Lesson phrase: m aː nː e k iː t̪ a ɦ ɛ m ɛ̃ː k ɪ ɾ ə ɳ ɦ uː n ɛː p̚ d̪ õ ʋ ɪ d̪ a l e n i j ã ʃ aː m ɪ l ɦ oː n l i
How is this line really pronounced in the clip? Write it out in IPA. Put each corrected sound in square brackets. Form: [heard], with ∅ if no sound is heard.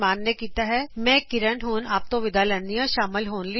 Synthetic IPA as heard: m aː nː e k iː t̪ a ɦ ɛ m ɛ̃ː k ɪ ɾ ə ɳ ɦ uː n [aː] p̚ [t̪] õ ʋ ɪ d̪ a l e n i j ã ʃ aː m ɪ l ɦ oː n l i